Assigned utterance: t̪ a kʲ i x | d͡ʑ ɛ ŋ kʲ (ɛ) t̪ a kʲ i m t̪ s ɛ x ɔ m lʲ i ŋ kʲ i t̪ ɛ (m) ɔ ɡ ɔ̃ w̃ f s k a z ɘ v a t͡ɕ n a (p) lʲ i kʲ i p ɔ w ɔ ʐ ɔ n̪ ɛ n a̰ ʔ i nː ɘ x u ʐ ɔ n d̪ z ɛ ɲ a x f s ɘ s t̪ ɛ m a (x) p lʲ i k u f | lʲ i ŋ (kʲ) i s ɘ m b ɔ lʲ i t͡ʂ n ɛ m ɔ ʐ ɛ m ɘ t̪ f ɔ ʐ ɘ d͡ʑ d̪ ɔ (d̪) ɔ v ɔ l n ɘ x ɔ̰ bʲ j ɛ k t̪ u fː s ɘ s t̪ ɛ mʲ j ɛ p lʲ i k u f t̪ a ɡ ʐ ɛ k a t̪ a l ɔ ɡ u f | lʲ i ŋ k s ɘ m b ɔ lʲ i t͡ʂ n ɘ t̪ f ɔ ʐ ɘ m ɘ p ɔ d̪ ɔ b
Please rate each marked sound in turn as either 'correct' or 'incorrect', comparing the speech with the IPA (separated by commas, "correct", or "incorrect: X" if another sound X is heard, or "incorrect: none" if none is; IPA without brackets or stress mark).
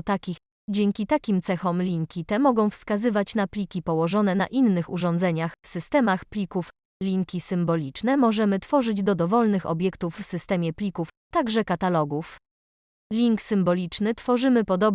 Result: incorrect: i, correct, correct, correct, correct, correct